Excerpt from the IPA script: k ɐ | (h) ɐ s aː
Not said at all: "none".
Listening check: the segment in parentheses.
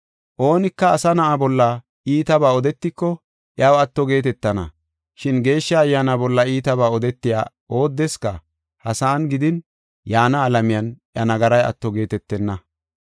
h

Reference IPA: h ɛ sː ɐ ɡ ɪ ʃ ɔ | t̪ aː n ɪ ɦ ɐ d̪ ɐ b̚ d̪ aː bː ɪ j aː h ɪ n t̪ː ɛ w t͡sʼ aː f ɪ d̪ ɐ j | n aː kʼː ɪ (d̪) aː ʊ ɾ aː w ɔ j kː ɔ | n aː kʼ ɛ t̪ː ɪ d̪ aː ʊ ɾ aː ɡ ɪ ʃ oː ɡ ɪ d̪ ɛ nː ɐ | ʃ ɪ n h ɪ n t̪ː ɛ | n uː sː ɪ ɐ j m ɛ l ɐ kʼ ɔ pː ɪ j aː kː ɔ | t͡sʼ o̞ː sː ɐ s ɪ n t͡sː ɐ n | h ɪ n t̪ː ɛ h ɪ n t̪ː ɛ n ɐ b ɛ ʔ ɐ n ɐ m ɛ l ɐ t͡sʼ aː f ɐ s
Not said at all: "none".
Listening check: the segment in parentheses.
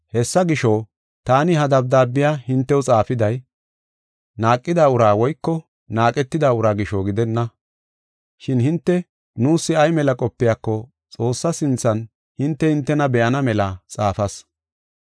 d̪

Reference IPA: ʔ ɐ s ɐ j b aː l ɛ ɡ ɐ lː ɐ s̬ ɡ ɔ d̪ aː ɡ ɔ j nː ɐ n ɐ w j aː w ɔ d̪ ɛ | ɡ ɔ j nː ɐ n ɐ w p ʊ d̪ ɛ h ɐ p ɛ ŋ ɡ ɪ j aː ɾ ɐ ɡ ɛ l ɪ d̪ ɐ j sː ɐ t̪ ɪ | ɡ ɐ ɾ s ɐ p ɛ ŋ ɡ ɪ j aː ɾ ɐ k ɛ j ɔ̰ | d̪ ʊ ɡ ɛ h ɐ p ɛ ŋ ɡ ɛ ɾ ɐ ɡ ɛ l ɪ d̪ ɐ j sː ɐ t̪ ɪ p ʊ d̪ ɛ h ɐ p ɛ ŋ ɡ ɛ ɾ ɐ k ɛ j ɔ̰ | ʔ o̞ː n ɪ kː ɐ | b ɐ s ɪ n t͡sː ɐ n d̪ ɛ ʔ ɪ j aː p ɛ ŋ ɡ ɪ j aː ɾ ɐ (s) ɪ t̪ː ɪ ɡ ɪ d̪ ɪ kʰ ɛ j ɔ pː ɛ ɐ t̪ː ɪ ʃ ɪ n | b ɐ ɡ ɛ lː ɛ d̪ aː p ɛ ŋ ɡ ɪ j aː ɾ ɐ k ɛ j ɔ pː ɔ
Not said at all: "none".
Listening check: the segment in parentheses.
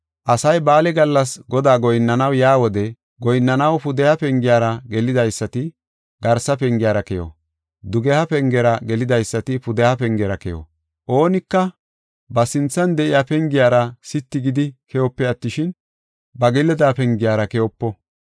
s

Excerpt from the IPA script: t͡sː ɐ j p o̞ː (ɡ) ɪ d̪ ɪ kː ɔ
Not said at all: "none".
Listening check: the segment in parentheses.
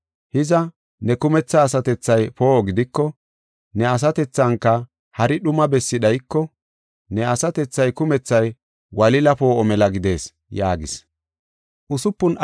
ɡ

